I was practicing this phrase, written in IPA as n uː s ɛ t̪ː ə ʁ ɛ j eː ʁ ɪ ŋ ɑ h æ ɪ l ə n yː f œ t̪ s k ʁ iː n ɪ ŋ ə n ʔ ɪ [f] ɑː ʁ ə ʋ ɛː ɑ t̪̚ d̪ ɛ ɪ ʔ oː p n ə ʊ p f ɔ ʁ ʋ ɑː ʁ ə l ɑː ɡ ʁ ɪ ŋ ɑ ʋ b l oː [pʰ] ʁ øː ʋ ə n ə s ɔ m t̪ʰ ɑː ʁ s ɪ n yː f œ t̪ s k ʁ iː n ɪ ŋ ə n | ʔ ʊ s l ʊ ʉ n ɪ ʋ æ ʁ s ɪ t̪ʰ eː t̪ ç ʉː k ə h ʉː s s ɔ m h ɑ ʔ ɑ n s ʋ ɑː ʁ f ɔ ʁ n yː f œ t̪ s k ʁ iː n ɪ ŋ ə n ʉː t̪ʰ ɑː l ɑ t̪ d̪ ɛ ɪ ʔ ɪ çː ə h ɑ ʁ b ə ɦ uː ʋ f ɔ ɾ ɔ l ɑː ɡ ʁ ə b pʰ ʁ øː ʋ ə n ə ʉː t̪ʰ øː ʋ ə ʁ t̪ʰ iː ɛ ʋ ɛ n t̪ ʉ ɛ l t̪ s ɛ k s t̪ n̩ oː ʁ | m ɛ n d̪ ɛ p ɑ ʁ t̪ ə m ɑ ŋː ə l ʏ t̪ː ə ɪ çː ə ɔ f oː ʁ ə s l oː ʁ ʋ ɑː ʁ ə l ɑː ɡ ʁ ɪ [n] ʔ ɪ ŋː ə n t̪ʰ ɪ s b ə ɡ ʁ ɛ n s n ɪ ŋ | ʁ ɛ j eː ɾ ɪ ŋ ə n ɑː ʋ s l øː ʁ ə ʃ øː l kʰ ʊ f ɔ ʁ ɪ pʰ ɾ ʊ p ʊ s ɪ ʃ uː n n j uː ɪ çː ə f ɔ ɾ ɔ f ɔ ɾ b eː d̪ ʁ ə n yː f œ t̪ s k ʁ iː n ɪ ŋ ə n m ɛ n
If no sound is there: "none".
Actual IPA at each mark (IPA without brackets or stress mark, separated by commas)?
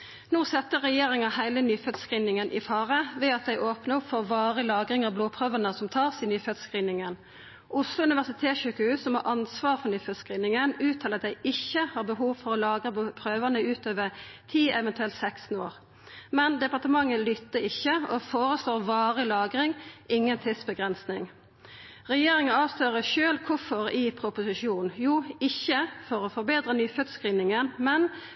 f, pʰ, ŋ